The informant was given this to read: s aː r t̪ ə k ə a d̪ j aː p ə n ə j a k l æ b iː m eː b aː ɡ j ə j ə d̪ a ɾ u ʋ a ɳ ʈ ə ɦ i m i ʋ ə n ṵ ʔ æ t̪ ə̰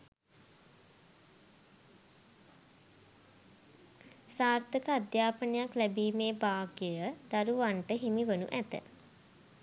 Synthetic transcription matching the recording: s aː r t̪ ə k ə a d̪ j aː p ə n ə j a k l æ b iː m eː b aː ɡ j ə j ə d̪ a ɾ u ʋ a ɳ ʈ ə ɦ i m i ʋ ə n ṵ ʔ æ t̪ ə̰